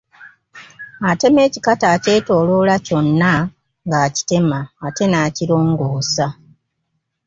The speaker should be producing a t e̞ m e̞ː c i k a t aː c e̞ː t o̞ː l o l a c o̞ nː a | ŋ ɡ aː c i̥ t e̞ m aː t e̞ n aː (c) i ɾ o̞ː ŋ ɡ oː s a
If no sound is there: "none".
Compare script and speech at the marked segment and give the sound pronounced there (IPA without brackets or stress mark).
c